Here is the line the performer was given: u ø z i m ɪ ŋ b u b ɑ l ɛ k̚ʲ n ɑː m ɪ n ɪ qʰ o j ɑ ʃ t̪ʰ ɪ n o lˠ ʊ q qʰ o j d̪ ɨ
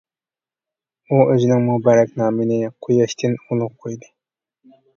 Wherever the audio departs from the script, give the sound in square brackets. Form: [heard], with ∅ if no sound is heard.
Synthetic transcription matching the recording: u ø z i [n] ɪ ŋ [m] u b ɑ [ɾ] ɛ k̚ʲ n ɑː m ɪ n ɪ qʰ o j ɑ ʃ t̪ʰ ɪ n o lˠ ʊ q qʰ o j d̪ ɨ